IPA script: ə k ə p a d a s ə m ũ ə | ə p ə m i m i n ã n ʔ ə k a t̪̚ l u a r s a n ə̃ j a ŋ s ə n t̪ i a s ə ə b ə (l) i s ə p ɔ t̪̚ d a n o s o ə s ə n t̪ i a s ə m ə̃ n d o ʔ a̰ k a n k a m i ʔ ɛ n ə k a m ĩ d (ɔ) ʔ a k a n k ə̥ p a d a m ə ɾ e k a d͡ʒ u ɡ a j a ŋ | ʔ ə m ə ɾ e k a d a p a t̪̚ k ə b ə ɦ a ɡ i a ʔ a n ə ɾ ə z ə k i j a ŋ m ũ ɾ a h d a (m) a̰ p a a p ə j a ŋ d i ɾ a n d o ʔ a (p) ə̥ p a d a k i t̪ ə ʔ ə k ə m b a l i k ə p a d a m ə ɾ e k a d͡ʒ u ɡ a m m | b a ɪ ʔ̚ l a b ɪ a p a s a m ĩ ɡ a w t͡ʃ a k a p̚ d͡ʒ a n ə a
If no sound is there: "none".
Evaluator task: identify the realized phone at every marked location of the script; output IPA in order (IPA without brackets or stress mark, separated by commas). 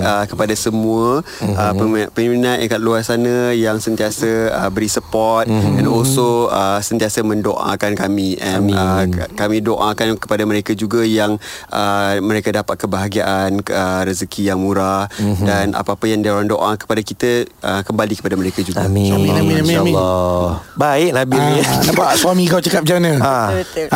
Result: ɾ, o, n, k